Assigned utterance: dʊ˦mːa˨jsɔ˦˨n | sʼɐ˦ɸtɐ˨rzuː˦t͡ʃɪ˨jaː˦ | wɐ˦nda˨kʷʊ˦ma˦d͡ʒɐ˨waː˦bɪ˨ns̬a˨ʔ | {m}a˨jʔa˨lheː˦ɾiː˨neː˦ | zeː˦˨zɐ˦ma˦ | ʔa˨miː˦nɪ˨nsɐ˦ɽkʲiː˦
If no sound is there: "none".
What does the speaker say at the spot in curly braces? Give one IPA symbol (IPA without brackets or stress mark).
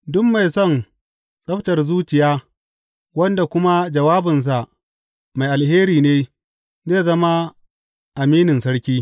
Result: m